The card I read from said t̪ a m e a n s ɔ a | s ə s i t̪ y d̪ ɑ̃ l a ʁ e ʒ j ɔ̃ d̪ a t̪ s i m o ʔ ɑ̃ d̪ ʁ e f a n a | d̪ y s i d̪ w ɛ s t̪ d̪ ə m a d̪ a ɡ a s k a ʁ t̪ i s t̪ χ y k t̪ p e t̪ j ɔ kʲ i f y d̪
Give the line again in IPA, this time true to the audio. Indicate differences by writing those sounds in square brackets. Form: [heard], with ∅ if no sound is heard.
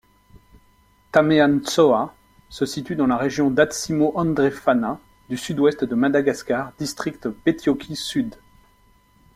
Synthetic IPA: t̪ a m e a n s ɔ a | s ə s i t̪ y d̪ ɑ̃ l a ʁ e ʒ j ɔ̃ d̪ a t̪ s i m o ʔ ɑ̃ d̪ ʁ e f a n a | d̪ y s [y] d̪ w ɛ s t̪ d̪ ə m a d̪ a ɡ a s k a ʁ [d̪] i s t̪ χ [i] k t̪ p e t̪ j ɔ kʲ i [s] y d̪